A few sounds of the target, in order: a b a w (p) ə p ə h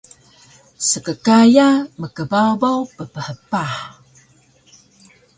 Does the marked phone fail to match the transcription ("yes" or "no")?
no